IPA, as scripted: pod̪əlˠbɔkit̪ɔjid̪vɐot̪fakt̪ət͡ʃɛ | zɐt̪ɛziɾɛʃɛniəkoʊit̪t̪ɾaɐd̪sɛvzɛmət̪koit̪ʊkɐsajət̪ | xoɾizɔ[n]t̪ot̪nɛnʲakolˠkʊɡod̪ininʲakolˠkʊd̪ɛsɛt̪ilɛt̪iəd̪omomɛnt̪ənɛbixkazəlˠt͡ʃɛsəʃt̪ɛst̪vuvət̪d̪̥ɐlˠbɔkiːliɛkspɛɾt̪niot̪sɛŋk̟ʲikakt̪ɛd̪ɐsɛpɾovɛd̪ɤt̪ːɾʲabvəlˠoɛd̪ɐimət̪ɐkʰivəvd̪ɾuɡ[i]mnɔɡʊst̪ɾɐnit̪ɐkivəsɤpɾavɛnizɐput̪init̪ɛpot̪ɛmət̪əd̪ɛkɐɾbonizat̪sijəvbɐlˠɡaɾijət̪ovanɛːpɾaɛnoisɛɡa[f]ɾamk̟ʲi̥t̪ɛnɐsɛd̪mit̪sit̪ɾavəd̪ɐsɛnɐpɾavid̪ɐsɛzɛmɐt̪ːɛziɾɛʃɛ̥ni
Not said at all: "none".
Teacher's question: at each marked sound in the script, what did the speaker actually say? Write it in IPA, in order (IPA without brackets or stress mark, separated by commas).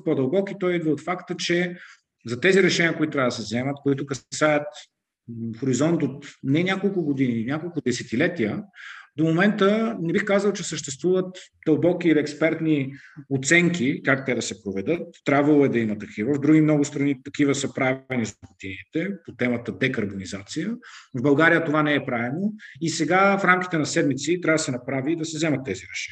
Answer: n, i, f